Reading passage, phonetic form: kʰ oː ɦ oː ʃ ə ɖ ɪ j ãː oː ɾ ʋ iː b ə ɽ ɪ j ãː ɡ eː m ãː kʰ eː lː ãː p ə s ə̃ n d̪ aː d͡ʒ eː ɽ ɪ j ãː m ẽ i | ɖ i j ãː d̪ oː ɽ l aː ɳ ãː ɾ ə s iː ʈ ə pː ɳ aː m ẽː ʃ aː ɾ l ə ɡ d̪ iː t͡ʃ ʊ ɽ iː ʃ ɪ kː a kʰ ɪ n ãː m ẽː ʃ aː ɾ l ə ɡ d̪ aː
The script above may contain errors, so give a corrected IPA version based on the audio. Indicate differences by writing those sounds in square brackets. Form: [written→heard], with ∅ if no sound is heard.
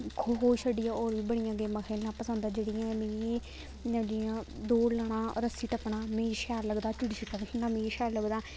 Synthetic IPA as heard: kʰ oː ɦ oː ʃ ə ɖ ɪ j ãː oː ɾ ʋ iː b ə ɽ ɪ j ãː ɡ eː m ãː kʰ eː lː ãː p ə s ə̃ n d̪ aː d͡ʒ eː ɽ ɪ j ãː m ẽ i | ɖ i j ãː d̪ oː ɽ l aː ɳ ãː ɾ ə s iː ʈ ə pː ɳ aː m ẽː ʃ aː ɾ l ə ɡ d̪ [iː→aː] t͡ʃ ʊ ɽ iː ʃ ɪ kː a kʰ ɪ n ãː m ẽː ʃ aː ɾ l ə ɡ d̪ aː